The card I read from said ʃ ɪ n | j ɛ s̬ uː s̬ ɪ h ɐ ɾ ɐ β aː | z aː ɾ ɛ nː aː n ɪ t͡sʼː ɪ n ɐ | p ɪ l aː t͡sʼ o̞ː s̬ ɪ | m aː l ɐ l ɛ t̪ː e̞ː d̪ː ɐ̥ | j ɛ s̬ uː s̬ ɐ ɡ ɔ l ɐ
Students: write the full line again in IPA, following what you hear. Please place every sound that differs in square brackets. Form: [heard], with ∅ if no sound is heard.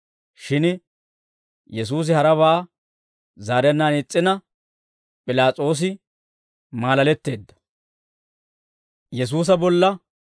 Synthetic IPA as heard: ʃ ɪ n | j ɛ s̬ uː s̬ ɪ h ɐ ɾ ɐ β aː | z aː ɾ ɛ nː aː n ɪ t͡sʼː ɪ n ɐ | [pʼ] ɪ l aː t͡sʼ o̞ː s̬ ɪ | m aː l ɐ l ɛ t̪ː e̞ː d̪ː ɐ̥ | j ɛ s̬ uː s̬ ɐ [b] ɔ [lː] ɐ

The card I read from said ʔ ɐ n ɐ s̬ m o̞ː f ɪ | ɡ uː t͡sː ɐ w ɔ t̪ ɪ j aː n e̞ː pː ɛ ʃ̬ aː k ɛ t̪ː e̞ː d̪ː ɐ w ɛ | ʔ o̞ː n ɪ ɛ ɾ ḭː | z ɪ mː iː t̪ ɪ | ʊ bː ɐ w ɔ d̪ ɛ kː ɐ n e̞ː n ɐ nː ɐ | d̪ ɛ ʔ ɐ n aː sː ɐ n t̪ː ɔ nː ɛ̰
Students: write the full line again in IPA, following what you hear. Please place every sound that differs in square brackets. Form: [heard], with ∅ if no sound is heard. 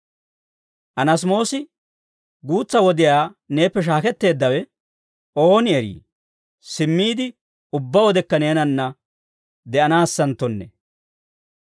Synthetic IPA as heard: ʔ ɐ n ɐ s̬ m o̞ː [s] ɪ | ɡ uː t͡sː ɐ w ɔ [d̪] ɪ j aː n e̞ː pː ɛ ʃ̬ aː k ɛ t̪ː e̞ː d̪ː ɐ w ɛ | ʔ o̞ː n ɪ ɛ ɾ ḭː | [s] ɪ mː iː [d̪] ɪ | ʊ bː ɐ w ɔ d̪ ɛ kː ɐ n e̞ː n ɐ nː ɐ | d̪ ɛ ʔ ɐ n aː sː ɐ n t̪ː ɔ nː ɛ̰

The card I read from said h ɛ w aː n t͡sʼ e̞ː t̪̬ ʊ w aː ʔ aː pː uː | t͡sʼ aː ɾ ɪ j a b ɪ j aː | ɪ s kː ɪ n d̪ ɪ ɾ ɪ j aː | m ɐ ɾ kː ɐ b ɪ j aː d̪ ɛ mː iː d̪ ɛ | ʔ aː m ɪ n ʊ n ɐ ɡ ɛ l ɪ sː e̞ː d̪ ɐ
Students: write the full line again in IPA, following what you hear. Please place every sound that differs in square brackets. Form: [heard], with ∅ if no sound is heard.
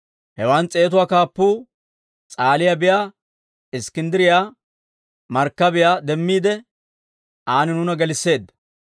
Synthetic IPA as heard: h ɛ w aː n t͡sʼ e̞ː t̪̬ ʊ w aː [k] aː pː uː | t͡sʼ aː [l] ɪ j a b ɪ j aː | ɪ s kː ɪ n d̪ ɪ ɾ ɪ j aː | m ɐ ɾ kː ɐ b ɪ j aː d̪ ɛ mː iː d̪ ɛ | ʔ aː [n] ɪ n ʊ n ɐ ɡ ɛ l ɪ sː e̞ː d̪ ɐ

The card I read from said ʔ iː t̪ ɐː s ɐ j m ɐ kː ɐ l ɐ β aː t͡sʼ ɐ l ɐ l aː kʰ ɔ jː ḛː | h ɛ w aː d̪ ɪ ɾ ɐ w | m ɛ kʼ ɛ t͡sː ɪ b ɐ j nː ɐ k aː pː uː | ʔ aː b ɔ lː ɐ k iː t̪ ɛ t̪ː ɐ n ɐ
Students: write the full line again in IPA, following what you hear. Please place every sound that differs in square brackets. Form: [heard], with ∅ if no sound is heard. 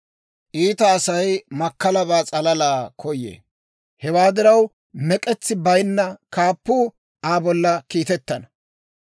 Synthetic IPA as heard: ʔ iː t̪ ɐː s ɐ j m ɐ kː ɐ l ɐ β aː t͡sʼ ɐ l ɐ l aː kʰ ɔ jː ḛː | h ɛ w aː d̪ ɪ ɾ ɐ w | m ɛ kʼ ɛ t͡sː ɪ b ɐ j nː ɐ k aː pː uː | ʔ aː b ɔ lː ɐ k iː t̪ ɛ t̪ː ɐ n ɐ

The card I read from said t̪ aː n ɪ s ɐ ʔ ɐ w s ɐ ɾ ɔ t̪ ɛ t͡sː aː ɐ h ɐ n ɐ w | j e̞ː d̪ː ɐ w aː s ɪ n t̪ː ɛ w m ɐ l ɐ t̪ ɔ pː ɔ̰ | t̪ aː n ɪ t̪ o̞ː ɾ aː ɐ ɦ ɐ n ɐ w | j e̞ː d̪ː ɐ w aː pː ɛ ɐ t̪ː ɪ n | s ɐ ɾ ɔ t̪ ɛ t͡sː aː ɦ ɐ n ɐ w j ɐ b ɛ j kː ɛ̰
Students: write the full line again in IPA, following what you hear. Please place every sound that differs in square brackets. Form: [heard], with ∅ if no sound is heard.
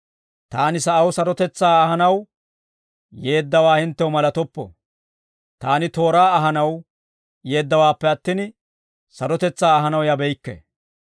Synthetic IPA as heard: t̪ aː n ɪ s ɐ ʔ ɐ w s ɐ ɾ ɔ t̪ ɛ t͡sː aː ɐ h ɐ n ɐ w | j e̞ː d̪ː ɐ w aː [h] ɪ n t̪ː ɛ w m ɐ l ɐ t̪ ɔ pː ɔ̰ | t̪ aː n ɪ t̪ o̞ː ɾ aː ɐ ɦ ɐ n ɐ w | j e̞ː d̪ː ɐ w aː pː ɛ ɐ t̪ː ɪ n | s ɐ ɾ ɔ t̪ ɛ t͡sː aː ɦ ɐ n ɐ w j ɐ b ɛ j kː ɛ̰

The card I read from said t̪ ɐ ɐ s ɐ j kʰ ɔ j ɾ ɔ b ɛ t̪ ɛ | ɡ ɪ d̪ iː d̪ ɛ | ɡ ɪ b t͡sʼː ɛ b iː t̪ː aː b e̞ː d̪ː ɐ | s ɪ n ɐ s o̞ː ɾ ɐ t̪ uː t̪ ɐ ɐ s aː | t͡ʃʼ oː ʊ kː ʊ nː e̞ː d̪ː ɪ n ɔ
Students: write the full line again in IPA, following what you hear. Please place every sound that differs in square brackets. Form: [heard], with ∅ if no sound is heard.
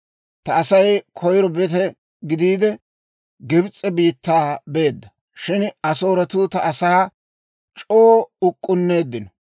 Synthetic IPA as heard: t̪ ɐ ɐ s ɐ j kʰ ɔ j ɾ ɔ b ɛ t̪ ɛ | ɡ ɪ d̪ iː d̪ ɛ | ɡ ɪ b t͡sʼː ɛ b iː t̪ː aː b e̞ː d̪ː ɐ | [ʃ] ɪ n ɐ s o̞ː ɾ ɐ t̪ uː t̪ ɐ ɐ s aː | t͡ʃʼ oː ʊ [kʼː] ʊ nː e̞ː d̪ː ɪ n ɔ

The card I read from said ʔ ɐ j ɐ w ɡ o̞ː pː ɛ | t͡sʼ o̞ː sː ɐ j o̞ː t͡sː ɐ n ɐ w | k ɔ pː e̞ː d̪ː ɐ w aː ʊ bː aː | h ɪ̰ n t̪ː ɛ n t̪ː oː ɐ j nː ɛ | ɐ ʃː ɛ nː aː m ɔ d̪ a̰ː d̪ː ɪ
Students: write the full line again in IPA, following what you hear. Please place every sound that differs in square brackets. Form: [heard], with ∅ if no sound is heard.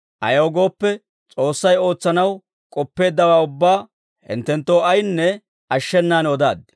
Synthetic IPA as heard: ʔ ɐ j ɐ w ɡ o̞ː pː ɛ | t͡sʼ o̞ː sː ɐ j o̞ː t͡sː ɐ n ɐ w | [kʼ] ɔ pː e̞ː d̪ː ɐ w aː ʊ bː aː | h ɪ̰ n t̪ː ɛ n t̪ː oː ɐ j nː ɛ | ɐ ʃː ɛ nː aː [n] ɔ d̪ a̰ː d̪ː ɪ

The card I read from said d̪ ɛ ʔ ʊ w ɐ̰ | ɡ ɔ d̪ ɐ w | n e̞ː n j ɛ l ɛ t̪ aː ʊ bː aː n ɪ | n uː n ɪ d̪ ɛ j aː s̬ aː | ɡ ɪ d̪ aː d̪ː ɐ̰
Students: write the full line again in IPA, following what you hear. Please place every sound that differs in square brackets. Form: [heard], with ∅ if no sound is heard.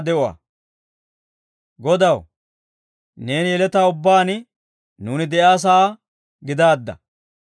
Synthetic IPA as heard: d̪ ɛ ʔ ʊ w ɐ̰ | ɡ ɔ d̪ ɐ w | n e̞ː n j ɛ l ɛ t̪ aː ʊ bː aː n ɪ | n uː n ɪ d̪ ɛ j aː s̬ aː | ɡ ɪ d̪ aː d̪ː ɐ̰

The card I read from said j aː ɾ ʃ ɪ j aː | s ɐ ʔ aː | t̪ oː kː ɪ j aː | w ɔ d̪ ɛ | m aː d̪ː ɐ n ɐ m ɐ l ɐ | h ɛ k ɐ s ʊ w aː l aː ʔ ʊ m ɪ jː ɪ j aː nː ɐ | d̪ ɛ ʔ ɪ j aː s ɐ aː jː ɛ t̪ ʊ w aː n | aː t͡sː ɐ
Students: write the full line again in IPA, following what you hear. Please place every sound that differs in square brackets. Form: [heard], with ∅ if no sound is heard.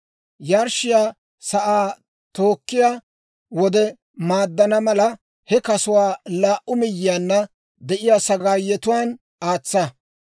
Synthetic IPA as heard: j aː ɾ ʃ ɪ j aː | s ɐ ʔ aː | t̪ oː kː ɪ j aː | w ɔ d̪ ɛ | m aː d̪ː ɐ n ɐ m ɐ l ɐ | h ɛ k ɐ s ʊ w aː l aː ʔ ʊ m ɪ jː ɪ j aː nː ɐ | d̪ ɛ ʔ ɪ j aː s ɐ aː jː ɛ t̪ ʊ w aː n | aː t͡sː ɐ

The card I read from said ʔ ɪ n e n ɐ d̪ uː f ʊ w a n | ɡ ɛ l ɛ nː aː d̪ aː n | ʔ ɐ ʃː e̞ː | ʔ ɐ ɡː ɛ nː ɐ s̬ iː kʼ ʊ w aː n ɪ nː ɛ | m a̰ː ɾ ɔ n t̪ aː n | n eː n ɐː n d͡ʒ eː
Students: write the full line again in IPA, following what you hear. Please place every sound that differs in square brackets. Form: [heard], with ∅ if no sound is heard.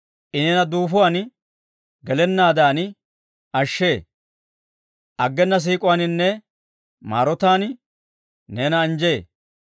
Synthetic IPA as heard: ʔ ɪ n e n ɐ d̪ uː f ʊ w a n | ɡ ɛ l ɛ nː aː d̪ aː n | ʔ ɐ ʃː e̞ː | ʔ ɐ ɡː ɛ nː ɐ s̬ iː kʼ ʊ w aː n ɪ nː ɛ | m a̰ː ɾ ɔ [∅] t̪ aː n | n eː n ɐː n d͡ʒ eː

